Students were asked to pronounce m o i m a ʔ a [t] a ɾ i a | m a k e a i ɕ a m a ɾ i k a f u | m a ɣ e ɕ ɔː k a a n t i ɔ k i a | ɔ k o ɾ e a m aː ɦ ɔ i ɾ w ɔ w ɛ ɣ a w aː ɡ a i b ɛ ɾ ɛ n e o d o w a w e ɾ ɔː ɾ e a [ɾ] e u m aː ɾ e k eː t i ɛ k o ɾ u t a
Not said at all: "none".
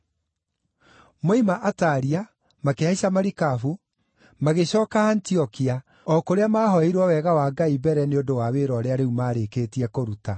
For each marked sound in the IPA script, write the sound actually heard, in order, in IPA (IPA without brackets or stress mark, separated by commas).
t, ɾ